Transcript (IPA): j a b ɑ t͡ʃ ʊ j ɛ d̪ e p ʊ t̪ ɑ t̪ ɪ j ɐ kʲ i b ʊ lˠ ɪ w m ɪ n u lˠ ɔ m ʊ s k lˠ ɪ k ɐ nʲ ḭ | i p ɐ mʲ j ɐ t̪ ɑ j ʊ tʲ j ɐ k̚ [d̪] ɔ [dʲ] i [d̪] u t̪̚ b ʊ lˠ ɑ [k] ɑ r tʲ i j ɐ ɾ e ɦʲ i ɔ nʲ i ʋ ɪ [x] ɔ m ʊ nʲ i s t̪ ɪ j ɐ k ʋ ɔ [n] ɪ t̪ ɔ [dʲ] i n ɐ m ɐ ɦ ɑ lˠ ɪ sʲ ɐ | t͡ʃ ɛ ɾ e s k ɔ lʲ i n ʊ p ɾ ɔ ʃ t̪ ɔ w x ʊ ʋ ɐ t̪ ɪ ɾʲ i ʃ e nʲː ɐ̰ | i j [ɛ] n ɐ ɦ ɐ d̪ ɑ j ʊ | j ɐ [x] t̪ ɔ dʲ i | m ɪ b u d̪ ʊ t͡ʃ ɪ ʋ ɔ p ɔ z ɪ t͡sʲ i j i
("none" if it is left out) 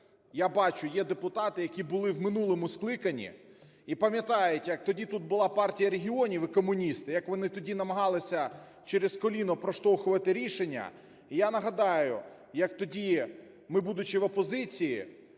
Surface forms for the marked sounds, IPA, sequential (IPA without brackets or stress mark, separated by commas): t̪, dʲ, t̪, p, k, n, dʲ, a, k